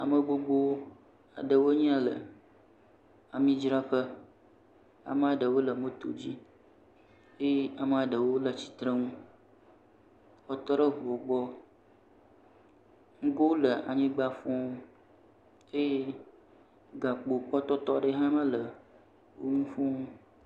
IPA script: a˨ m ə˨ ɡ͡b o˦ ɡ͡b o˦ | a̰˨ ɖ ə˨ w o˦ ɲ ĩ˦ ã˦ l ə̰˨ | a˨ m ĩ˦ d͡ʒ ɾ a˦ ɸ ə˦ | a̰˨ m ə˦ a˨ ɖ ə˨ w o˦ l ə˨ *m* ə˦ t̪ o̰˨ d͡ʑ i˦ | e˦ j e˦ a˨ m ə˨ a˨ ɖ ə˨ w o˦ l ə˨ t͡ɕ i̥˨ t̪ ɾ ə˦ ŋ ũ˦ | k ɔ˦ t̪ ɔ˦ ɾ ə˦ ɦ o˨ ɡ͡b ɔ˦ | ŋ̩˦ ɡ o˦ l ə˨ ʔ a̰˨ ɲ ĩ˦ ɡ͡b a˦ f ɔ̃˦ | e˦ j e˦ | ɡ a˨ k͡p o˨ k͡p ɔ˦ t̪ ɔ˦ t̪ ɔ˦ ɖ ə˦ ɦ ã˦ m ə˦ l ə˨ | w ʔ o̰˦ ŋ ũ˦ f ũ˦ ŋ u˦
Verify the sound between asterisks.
correct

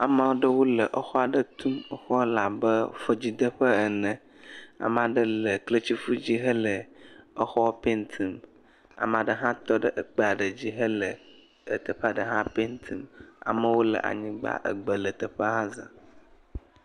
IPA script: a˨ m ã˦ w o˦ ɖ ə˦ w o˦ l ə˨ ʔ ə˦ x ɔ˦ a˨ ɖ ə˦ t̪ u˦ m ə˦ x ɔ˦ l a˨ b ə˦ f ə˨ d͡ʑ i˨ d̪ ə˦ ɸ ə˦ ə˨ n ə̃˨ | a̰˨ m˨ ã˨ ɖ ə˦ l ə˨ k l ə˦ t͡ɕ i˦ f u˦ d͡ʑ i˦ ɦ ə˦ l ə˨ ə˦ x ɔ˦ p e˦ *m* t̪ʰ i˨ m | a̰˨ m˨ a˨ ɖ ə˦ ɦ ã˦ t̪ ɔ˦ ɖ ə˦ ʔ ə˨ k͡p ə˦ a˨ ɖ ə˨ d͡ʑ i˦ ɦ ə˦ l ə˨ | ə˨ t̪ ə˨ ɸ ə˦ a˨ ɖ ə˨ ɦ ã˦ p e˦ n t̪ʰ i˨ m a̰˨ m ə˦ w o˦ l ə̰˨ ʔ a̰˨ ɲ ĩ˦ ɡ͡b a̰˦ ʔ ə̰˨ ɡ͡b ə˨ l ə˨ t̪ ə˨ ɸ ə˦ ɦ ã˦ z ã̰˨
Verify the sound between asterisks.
incorrect: n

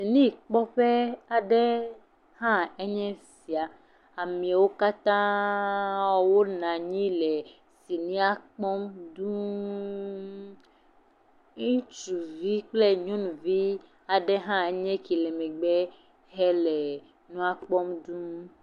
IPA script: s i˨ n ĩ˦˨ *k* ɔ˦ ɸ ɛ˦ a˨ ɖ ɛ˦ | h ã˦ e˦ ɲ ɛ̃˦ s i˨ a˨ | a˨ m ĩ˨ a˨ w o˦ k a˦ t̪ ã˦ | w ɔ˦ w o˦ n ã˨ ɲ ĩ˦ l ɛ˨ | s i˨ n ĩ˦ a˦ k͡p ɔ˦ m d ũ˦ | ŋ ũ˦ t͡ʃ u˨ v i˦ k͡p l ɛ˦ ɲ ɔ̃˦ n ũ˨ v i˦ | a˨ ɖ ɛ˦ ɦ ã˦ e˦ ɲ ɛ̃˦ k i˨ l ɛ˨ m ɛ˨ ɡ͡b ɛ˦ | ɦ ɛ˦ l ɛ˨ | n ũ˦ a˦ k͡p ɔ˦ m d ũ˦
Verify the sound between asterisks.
incorrect: k͡p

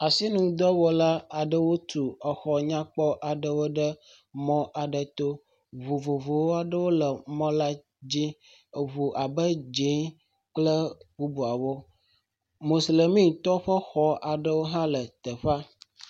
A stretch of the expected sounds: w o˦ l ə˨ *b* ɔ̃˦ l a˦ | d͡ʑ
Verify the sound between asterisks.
incorrect: m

